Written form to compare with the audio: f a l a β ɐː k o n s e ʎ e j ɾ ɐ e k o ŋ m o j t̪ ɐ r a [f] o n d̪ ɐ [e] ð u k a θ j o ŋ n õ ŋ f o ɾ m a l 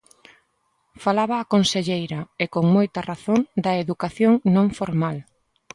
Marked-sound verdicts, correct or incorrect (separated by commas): incorrect, correct